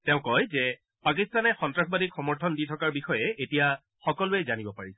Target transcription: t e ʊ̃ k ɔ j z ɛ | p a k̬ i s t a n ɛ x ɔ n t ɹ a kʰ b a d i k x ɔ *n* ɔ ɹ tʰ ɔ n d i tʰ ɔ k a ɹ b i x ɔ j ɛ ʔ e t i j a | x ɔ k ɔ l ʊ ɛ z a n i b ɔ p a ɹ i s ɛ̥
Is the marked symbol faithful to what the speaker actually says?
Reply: no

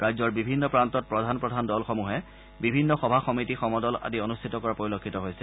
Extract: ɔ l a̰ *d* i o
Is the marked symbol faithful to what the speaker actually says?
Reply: yes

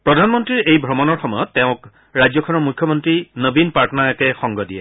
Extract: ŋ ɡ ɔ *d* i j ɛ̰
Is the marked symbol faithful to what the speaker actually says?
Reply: yes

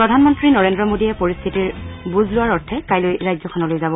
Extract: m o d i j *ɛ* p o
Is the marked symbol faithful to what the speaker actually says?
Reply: yes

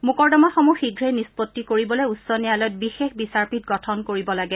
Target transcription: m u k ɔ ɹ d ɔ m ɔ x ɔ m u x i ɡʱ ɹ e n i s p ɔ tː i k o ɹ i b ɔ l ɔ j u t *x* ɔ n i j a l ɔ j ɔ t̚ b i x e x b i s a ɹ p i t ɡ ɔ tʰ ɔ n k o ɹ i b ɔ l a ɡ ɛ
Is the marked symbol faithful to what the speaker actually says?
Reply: no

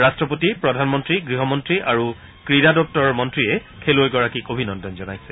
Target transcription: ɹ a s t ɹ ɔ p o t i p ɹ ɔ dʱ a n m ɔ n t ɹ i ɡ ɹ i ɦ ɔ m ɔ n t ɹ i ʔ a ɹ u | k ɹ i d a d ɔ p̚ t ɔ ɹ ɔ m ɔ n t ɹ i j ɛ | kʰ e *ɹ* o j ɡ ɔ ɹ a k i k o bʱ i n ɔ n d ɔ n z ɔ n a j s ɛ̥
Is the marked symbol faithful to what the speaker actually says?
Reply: no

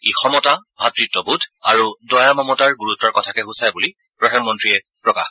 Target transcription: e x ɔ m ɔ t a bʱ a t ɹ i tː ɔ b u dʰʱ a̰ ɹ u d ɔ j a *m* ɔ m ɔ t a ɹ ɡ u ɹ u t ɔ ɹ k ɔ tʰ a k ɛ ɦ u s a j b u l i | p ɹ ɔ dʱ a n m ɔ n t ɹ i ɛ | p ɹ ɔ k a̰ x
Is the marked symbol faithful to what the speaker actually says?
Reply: yes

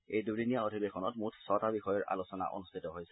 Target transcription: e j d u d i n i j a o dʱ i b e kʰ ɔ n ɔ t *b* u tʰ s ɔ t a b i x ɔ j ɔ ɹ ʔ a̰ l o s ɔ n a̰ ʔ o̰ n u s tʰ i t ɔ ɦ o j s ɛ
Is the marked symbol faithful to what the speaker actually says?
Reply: no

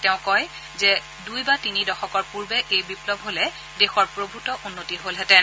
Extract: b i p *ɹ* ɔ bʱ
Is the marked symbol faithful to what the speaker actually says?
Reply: no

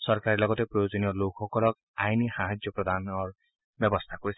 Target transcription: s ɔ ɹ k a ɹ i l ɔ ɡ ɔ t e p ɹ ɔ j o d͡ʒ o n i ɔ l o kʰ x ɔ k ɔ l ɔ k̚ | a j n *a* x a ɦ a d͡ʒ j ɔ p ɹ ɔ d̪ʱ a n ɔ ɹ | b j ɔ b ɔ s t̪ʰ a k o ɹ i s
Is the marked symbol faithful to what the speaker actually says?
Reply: no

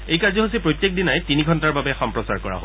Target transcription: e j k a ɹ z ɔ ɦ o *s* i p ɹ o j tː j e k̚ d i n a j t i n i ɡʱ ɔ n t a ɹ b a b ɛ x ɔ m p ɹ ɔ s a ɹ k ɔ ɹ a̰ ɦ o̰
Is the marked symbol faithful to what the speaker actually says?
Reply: yes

